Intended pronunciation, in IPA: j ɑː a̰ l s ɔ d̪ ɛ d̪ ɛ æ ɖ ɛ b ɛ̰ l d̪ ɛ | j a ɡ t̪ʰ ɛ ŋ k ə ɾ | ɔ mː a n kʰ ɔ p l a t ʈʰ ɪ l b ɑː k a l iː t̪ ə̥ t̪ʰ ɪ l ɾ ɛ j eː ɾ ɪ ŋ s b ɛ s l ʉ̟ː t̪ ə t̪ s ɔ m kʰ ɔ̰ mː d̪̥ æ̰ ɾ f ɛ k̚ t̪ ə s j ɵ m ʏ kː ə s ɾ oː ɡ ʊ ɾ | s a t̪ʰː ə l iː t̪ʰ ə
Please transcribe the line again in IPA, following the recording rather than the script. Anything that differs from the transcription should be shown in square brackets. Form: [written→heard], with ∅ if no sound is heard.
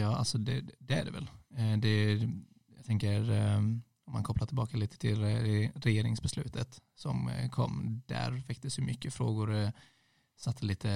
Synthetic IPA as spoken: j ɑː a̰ l s ɔ d̪ ɛ d̪ ɛ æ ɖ ɛ [b→v] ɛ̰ l d̪ ɛ | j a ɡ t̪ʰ ɛ ŋ k ə ɾ | ɔ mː a n kʰ ɔ p l a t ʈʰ ɪ l b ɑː k a l iː t̪ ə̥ t̪ʰ ɪ l ɾ ɛ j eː ɾ ɪ ŋ s b ɛ s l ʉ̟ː t̪ ə t̪ s ɔ m kʰ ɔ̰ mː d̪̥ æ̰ ɾ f ɛ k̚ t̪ ə s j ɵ m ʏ kː ə [s→f] ɾ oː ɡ ʊ ɾ | s a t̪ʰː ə l iː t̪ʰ ə